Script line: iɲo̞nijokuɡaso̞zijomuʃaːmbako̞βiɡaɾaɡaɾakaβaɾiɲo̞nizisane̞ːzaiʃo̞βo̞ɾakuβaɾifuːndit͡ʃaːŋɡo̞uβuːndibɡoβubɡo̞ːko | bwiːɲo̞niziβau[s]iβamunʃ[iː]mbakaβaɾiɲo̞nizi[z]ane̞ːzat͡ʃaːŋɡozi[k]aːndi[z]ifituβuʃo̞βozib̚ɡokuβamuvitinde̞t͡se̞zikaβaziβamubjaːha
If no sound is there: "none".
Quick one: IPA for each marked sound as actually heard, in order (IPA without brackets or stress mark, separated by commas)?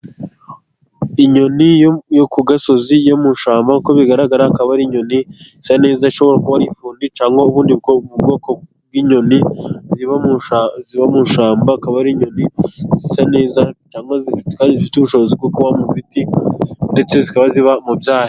z, aː, s, k, z